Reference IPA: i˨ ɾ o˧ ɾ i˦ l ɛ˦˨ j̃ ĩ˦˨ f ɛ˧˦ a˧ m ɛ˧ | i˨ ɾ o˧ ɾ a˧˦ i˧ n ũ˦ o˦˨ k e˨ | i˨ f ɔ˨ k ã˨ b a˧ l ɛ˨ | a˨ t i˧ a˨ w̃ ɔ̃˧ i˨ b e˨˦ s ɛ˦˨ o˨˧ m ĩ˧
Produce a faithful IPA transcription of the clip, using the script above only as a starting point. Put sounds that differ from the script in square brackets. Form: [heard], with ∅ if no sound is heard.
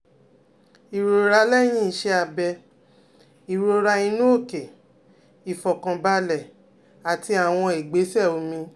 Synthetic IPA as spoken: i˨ ɾ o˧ ɾ [a˦] l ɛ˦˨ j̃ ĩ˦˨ [ʃ] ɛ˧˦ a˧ [b] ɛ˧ | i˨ ɾ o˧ ɾ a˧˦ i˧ n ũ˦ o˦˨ k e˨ | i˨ f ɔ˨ k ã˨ b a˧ l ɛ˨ | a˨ t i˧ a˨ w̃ ɔ̃˧ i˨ [ɡ͡b] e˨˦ s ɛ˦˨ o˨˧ m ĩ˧